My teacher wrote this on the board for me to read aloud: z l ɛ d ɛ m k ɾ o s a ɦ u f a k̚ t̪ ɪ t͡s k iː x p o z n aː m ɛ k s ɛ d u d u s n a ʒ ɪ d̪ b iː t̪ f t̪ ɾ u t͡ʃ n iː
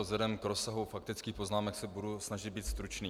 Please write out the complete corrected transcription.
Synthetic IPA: z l ɛ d ɛ m k ɾ o s a ɦ u f a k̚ t̪ ɪ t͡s k iː x p o z n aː m ɛ k s ɛ b u d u s n a ʒ ɪ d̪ b iː t̪ s t̪ ɾ u t͡ʃ n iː